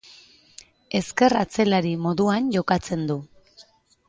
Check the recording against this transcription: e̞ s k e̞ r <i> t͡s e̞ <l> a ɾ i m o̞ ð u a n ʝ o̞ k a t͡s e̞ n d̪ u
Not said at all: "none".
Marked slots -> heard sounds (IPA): a, l

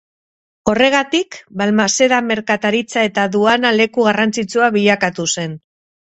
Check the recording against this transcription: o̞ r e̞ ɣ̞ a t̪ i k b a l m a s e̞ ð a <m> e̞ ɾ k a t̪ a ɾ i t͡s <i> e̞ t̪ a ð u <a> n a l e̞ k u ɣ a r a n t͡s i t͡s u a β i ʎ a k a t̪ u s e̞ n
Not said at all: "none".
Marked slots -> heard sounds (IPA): m, a, a

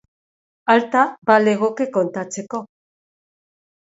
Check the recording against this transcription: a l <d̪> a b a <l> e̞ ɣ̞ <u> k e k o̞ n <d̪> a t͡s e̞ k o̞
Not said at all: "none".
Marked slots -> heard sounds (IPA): t̪, l, o, t̪

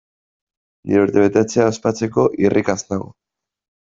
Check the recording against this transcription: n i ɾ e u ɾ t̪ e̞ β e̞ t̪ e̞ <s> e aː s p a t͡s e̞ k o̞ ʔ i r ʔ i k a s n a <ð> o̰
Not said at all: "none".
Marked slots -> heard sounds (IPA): t͡s, ɣ

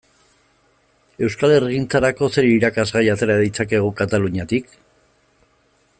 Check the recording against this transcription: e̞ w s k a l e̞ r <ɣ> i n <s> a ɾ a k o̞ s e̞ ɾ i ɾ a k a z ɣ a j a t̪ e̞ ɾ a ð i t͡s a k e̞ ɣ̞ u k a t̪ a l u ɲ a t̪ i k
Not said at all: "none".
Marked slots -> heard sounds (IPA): ɣ, t͡s

